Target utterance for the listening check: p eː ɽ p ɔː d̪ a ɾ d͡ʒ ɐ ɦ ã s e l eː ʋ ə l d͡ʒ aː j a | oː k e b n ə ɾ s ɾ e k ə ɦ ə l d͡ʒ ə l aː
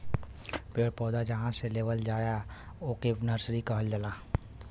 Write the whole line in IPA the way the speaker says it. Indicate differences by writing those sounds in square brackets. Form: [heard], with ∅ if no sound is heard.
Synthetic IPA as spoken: p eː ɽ p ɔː d̪ a [∅] d͡ʒ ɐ ɦ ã s e l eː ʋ ə l d͡ʒ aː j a | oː k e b n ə ɾ s ɾ [i] k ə ɦ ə l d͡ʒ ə l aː